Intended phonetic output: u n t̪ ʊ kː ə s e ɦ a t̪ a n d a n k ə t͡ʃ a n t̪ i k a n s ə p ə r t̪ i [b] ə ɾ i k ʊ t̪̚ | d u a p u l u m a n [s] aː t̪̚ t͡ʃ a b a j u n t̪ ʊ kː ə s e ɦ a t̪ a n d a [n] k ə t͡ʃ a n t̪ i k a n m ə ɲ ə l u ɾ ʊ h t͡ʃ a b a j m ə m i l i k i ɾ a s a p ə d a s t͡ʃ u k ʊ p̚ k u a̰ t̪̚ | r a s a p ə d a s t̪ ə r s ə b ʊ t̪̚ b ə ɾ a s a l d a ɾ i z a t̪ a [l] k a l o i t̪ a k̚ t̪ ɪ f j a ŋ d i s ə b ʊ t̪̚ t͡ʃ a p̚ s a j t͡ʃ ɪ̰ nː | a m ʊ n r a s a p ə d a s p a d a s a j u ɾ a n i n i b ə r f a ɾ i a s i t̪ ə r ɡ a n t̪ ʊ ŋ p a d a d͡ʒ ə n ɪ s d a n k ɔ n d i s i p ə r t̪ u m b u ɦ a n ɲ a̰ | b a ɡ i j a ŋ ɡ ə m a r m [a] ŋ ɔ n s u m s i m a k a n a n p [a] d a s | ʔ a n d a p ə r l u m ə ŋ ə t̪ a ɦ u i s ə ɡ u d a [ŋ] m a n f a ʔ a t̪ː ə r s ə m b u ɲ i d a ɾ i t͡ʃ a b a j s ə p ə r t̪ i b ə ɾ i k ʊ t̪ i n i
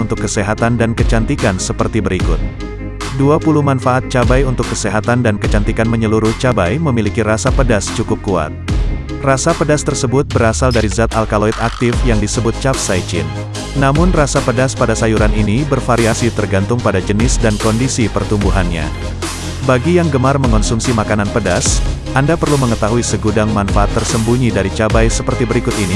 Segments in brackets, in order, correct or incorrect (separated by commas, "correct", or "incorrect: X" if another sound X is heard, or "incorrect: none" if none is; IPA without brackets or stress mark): correct, incorrect: f, correct, correct, incorrect: ə, incorrect: ə, correct